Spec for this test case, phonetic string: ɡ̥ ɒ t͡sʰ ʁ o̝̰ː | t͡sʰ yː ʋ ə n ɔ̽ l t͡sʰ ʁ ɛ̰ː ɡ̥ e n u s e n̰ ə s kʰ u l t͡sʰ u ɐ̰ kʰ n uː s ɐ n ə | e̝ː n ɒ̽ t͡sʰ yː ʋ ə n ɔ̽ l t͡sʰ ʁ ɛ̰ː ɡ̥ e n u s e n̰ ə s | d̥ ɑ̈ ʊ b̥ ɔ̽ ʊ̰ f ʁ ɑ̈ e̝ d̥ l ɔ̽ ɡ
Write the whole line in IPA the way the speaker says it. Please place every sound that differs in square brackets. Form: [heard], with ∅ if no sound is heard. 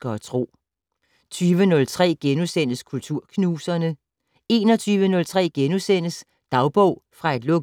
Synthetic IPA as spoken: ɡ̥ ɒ t͡sʰ ʁ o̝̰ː | t͡sʰ yː ʋ ə n ɔ̽ l t͡sʰ ʁ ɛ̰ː ɡ̥ e n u s e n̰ ə s kʰ u l t͡sʰ u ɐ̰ kʰ n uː s ɐ n ə | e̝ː n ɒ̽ t͡sʰ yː ʋ ə n ɔ̽ l t͡sʰ ʁ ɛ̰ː ɡ̥ e n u s e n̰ ə s | d̥ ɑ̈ ʊ b̥ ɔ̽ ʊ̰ f ʁ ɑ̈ e̝ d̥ l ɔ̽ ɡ